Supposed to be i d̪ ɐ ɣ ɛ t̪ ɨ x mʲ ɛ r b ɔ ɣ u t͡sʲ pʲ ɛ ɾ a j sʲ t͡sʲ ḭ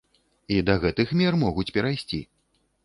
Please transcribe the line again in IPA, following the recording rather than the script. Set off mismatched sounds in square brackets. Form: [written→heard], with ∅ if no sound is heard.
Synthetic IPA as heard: i d̪ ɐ ɣ ɛ t̪ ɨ x mʲ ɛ r [b→m] ɔ ɣ u t͡sʲ pʲ ɛ ɾ a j sʲ t͡sʲ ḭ